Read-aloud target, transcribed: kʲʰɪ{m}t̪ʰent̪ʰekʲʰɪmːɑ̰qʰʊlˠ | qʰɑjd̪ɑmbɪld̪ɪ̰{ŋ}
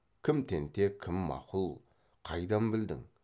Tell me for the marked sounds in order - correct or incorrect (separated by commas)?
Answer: correct, correct